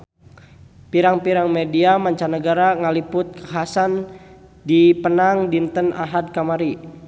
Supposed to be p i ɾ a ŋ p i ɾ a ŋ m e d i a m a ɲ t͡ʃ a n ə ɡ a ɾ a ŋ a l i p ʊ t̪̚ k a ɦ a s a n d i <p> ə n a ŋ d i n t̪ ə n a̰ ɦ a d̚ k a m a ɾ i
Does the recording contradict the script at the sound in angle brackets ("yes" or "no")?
no